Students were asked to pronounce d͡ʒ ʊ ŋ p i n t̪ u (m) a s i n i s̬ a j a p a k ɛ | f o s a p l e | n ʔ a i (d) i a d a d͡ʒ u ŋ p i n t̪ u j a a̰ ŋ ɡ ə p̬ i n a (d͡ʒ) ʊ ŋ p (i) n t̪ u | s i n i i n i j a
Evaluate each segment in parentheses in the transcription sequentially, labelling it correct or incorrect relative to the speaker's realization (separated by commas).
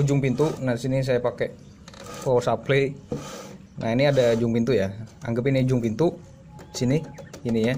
incorrect, incorrect, correct, correct